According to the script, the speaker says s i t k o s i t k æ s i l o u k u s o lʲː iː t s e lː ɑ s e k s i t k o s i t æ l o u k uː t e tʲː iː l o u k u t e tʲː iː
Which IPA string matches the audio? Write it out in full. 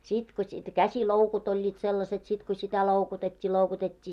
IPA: s i t k o s i t k æ s i l o u k u t o lʲː iː t s e lː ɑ s e t s i t k o s i t æ l o u k u t e tʲː iː l o u k u t e tʲː iː